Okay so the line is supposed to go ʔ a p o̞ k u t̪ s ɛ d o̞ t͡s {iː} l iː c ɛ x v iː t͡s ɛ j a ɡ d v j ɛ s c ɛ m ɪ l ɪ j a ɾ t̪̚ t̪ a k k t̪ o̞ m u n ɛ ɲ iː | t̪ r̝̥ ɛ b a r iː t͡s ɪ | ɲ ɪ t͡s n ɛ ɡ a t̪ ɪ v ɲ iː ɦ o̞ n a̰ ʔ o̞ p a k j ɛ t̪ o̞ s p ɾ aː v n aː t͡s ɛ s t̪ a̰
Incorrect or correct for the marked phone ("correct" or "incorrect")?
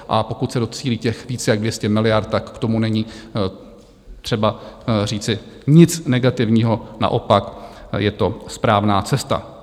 correct